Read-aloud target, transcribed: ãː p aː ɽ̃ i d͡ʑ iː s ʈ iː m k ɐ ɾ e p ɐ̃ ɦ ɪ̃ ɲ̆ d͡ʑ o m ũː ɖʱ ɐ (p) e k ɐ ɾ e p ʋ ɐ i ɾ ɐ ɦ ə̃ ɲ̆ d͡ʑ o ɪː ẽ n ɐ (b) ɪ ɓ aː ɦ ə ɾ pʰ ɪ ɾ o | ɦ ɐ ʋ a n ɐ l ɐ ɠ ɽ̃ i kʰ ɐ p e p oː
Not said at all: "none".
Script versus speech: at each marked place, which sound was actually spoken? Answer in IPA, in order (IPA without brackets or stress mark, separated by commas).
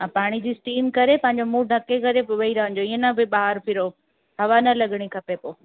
k, b